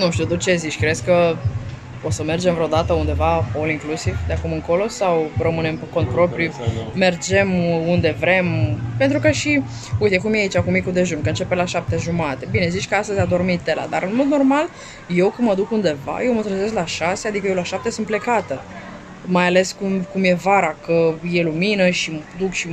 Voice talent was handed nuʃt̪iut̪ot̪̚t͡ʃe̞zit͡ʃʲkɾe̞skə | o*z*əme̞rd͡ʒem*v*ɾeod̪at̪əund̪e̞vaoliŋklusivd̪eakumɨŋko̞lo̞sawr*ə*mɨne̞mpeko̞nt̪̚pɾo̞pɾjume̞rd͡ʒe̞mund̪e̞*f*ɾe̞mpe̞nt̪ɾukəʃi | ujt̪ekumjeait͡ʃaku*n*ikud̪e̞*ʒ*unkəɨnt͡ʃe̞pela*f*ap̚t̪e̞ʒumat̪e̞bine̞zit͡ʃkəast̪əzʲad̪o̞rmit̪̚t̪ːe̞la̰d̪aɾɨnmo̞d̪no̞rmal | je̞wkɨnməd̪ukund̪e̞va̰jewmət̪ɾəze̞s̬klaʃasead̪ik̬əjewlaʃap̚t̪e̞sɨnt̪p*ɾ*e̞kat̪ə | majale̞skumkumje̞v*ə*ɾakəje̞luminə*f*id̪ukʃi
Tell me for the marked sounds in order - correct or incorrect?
incorrect: s, correct, correct, incorrect: v, incorrect: m, correct, incorrect: ʃ, incorrect: l, incorrect: a, incorrect: ʃ

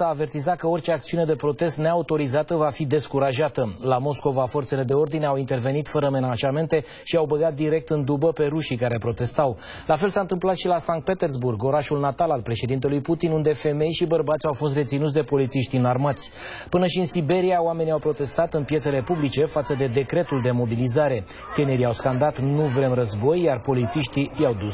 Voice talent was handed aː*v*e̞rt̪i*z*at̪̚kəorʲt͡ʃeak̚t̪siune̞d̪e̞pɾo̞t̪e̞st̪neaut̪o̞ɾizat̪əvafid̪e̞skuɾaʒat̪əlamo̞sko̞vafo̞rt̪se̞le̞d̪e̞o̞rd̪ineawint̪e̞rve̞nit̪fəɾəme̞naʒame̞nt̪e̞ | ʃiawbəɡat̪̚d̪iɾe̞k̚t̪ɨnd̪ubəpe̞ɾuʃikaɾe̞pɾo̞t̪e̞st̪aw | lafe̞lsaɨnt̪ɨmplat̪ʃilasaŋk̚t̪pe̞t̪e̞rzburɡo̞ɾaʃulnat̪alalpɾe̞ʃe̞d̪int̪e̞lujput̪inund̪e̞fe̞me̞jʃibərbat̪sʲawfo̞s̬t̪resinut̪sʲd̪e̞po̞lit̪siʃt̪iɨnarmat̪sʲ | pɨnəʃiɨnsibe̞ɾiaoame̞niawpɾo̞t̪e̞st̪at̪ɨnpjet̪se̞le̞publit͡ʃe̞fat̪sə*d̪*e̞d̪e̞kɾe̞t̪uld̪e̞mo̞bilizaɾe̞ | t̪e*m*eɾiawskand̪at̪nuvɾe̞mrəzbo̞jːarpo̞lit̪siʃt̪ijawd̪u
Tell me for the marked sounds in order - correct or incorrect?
correct, correct, correct, incorrect: n

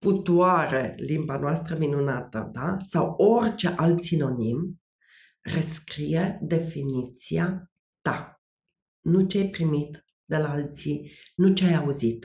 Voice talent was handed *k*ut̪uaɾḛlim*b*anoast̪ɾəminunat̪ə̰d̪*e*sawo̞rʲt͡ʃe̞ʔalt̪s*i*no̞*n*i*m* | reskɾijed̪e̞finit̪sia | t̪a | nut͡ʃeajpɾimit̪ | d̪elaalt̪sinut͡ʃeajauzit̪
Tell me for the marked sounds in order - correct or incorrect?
incorrect: p, correct, incorrect: a, correct, correct, correct

